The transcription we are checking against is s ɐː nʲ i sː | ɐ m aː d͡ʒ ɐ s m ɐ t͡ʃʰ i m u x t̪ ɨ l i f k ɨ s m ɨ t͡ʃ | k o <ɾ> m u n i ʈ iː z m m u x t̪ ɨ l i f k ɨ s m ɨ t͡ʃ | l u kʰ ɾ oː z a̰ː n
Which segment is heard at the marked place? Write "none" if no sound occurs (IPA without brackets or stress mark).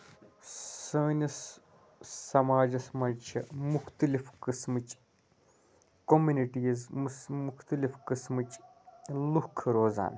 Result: none